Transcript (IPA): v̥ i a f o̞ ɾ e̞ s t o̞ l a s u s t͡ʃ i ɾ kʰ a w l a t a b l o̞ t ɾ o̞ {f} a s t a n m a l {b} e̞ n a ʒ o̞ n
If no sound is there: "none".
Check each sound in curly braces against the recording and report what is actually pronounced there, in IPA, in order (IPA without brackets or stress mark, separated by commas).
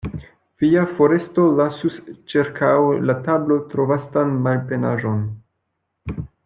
v, p